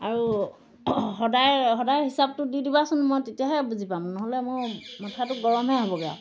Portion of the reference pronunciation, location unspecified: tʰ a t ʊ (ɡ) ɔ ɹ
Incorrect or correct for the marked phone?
correct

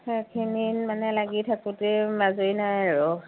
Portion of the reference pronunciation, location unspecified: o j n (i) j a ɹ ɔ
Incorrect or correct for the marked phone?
incorrect: a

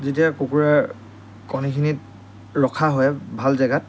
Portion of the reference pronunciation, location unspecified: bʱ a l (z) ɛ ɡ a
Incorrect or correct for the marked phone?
correct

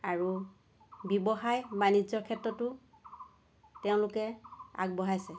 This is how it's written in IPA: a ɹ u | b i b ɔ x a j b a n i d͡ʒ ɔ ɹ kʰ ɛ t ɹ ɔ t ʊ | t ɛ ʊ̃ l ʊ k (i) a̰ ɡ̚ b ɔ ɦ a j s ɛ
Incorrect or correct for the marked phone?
incorrect: ɛ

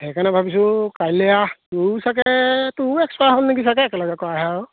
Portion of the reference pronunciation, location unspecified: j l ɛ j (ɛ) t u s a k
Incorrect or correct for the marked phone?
incorrect: a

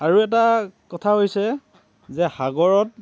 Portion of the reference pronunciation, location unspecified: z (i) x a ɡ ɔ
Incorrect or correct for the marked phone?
incorrect: ɛ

